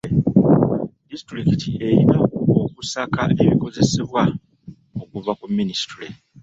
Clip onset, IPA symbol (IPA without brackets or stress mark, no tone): d